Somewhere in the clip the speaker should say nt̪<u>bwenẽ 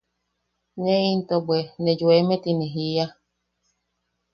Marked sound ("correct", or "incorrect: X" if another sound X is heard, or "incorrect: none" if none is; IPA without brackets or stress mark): incorrect: o